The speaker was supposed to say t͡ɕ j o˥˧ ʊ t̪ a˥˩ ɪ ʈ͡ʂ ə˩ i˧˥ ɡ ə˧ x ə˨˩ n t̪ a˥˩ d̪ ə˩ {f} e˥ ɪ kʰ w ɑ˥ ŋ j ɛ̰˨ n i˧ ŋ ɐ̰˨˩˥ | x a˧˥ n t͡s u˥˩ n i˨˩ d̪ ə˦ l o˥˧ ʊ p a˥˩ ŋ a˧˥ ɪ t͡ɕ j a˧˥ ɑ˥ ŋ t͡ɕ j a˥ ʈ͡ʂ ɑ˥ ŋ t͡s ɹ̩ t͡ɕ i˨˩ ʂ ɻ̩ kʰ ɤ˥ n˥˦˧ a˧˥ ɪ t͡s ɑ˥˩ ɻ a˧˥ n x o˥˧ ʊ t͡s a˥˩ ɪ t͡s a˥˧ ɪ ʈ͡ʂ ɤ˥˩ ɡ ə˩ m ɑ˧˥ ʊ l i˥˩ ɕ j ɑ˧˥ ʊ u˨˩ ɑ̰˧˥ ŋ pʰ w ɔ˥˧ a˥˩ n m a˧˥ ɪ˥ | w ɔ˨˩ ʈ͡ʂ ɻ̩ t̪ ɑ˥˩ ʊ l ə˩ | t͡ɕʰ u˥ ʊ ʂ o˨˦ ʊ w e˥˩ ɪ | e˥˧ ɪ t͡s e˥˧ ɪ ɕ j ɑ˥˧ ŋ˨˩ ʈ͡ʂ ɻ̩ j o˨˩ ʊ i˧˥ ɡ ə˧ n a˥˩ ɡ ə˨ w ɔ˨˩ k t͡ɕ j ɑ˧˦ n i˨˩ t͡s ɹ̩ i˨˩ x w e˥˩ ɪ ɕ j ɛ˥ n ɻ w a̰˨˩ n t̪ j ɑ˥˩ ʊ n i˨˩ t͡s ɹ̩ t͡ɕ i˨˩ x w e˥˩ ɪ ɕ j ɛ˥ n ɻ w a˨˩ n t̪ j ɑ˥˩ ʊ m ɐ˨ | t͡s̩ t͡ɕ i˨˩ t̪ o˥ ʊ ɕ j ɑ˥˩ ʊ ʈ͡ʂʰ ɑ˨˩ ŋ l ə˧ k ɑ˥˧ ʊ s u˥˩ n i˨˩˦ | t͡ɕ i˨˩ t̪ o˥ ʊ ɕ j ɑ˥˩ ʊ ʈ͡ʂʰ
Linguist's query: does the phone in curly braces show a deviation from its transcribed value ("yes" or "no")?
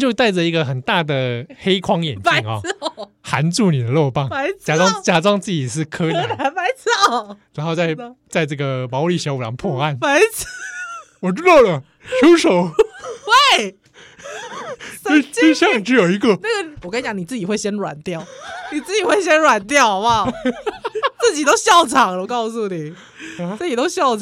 yes